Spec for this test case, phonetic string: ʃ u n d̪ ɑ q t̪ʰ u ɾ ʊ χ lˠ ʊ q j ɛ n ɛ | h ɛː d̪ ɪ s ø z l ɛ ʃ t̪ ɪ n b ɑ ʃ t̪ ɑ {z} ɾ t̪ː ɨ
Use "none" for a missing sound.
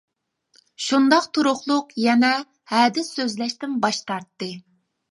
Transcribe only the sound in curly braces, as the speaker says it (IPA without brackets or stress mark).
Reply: none